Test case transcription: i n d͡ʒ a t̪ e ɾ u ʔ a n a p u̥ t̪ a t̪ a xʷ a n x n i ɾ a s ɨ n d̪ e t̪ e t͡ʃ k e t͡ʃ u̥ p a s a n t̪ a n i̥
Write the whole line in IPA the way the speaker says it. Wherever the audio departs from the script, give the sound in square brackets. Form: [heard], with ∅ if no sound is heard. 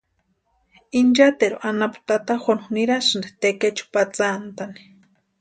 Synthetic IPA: i n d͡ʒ a t̪ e ɾ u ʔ a n a p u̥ t̪ a t̪ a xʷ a n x n i ɾ a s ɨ n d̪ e t̪ e [∅] k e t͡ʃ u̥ p a [t͡s] a n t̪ a n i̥